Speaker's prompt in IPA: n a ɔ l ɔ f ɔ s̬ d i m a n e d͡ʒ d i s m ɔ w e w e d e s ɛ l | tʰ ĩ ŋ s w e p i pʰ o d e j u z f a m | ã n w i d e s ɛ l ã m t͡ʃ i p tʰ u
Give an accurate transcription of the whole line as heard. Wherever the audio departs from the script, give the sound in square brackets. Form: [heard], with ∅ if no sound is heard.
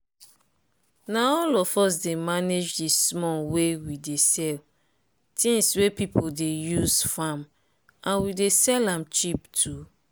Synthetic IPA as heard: n a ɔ l ɔ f ɔ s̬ d [e] m a n e d͡ʒ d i s m ɔ w e w [i] d e s ɛ l | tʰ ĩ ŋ s w e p i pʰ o d e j u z f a m | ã n w i d e s ɛ l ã m t͡ʃ i p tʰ u